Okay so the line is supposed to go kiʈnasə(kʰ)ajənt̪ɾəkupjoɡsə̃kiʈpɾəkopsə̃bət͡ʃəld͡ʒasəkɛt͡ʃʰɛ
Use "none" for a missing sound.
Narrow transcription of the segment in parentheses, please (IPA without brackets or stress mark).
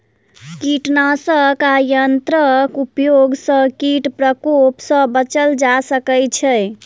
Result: k